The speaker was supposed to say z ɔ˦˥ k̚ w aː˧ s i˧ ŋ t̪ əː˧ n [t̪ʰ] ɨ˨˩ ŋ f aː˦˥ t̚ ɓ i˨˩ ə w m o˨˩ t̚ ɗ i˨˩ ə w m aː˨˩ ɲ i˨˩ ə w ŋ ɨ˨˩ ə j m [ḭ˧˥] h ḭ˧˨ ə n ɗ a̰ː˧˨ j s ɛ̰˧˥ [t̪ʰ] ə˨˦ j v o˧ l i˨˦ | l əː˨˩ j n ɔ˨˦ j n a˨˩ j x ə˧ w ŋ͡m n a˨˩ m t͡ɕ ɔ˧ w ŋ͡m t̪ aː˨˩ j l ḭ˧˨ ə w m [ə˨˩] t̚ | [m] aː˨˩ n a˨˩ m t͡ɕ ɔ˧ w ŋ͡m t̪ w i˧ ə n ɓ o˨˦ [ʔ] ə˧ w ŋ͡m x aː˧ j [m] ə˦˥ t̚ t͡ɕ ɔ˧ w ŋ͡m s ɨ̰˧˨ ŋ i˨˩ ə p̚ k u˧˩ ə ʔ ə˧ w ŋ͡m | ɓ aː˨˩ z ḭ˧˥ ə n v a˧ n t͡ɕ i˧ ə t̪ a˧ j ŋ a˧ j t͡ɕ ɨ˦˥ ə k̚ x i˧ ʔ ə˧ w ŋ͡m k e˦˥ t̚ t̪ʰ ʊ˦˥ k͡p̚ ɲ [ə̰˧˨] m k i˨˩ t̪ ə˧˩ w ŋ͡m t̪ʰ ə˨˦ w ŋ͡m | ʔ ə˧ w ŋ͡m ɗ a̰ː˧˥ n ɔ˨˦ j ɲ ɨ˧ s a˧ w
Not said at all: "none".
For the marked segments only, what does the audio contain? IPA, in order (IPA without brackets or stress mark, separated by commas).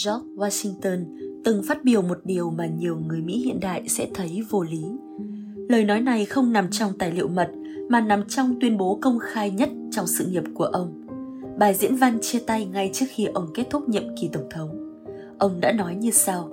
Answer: t̪, ḭ˧˥, t̪ʰ, ə˨˩, m, k, ɲ, ə̰˧˨